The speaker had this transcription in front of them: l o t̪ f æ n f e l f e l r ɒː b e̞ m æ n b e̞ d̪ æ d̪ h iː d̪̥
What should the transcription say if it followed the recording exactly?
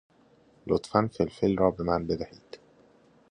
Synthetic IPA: l o t̪ f æ n f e l f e l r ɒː b e̞ m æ n b e̞ d̪ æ h iː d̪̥